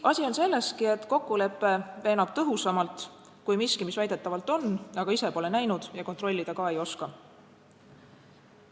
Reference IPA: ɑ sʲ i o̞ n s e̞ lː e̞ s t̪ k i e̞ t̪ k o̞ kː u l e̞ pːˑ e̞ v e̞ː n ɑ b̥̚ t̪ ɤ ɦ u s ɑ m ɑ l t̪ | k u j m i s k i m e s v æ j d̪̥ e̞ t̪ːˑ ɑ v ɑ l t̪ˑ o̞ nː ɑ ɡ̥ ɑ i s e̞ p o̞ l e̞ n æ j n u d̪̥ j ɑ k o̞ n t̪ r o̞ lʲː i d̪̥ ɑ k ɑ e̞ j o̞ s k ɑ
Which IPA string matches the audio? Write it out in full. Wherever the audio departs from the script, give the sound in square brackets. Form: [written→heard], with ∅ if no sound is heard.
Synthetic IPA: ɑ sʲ i o̞ n s e̞ lː e̞ s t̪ k i e̞ t̪ k o̞ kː u l e̞ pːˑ e̞ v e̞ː n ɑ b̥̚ t̪ ɤ ɦ u s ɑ m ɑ l t̪ | k u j m i s k i m [e→i] s v æ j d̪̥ e̞ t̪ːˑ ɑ v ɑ l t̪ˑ o̞ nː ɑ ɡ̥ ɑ i s e̞ p o̞ l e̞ n æ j n u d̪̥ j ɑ k o̞ n t̪ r o̞ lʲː i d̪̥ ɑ k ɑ e̞ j o̞ s k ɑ